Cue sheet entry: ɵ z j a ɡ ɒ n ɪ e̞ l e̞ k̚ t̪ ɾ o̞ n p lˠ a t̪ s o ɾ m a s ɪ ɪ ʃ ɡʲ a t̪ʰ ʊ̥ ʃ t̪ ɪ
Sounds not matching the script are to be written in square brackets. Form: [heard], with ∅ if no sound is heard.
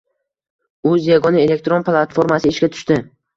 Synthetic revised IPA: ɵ z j a ɡ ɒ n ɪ e̞ l e̞ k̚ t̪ ɾ o̞ n p lˠ a t̪ [f] o ɾ m a s ɪ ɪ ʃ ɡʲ a t̪ʰ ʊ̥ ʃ t̪ ɪ